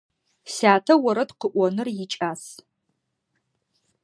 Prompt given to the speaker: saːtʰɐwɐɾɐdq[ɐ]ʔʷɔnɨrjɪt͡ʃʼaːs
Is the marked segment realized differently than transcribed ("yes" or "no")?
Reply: yes